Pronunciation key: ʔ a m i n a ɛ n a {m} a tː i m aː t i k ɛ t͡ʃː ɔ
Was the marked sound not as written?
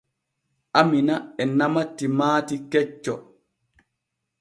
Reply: no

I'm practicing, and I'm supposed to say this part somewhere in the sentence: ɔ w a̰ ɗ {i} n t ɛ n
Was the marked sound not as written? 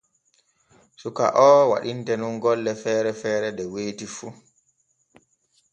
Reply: no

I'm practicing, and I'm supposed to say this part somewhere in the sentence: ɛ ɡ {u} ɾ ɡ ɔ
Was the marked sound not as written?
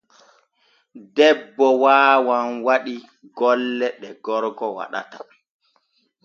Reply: yes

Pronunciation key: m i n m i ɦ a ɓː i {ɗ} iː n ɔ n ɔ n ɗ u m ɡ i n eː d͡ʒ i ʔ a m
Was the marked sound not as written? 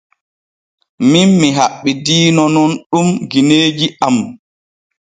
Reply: yes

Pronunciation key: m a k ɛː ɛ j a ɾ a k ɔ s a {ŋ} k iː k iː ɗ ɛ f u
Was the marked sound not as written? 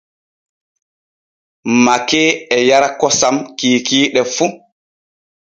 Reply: yes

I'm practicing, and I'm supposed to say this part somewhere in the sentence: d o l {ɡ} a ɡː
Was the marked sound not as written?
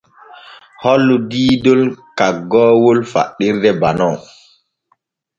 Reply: yes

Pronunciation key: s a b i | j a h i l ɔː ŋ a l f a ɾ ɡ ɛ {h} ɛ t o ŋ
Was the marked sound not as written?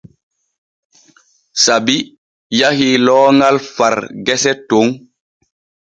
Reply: yes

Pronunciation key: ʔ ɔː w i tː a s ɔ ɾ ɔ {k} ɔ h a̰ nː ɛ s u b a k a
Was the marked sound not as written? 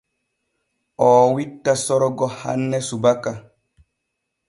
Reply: yes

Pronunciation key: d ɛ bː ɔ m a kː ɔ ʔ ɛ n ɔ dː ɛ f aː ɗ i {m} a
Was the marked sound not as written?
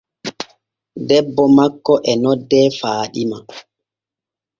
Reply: no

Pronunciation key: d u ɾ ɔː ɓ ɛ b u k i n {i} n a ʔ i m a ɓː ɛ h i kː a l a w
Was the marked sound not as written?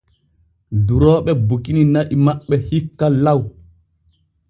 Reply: no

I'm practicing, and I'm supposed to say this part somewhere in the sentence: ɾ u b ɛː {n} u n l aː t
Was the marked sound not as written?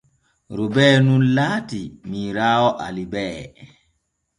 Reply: no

